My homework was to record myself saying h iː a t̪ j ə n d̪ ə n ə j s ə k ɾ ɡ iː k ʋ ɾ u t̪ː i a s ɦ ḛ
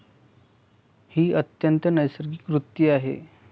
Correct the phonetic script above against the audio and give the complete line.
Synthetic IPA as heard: h iː ə t̪ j ə n t̪ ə n ə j s ə ɾ ɡ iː k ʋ ɾ u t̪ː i a ɦ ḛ